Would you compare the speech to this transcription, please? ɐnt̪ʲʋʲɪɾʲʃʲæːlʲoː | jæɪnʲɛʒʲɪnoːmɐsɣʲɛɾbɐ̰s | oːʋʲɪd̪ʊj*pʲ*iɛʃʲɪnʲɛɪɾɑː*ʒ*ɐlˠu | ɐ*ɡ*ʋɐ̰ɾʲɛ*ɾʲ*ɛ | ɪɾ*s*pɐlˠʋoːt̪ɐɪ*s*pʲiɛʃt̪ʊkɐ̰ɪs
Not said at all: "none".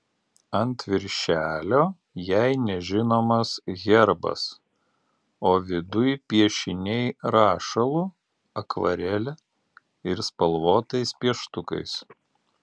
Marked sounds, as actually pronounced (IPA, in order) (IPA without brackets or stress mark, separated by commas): pʲ, ʃ, k, lʲ, s, s